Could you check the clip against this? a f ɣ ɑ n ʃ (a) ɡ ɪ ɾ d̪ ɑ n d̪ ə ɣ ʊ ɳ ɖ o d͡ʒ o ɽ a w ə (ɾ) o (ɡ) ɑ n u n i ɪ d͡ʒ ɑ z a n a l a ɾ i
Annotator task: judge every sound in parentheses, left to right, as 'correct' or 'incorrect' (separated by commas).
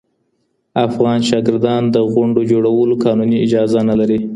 incorrect, incorrect, incorrect